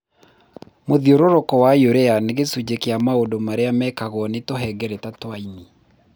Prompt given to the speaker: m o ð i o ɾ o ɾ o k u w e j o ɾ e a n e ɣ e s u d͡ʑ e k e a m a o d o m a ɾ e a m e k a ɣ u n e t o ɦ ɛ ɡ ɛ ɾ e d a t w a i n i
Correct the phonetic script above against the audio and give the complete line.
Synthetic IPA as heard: m o ð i o ɾ o ɾ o k ɔ w a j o ɾ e a n e ɣ e s u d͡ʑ e k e a m a o d o m a ɾ e a m ɛ k a ɣ ɔ n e t o ɦ ɛ ɡ ɛ ɾ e t a t w a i n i